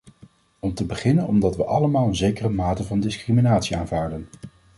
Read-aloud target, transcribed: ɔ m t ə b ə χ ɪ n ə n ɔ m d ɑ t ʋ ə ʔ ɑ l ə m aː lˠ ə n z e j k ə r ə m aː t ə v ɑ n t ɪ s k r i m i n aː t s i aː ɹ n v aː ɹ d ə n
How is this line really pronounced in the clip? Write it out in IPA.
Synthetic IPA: ɔ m t ə b ə χ ɪ n ə n ɔ m d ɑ t ʋ ə ʔ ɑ l ə m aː lˠ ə n z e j k ə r ə m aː t ə v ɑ n d ɪ s k r i m i n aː t s i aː n v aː ɹ d ə n